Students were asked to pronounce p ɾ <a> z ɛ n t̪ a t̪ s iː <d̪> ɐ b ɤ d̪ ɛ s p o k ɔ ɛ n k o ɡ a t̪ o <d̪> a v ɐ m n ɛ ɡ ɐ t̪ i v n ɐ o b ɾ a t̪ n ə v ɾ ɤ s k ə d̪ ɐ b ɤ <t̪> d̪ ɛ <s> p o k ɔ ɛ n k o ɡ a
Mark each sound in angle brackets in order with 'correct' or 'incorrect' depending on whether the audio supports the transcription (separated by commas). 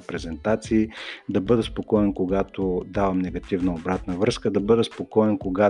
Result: incorrect, correct, correct, incorrect, correct